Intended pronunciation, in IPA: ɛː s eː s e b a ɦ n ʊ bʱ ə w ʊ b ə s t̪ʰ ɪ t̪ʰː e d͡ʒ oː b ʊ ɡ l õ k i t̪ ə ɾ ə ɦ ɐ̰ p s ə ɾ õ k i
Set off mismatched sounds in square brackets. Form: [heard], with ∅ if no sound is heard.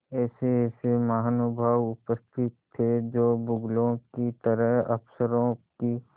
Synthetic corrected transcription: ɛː s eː s e [m] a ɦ n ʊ bʱ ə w ʊ [p] ə s t̪ʰ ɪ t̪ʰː e d͡ʒ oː b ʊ ɡ l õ k i t̪ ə ɾ ə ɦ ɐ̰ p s ə ɾ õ k i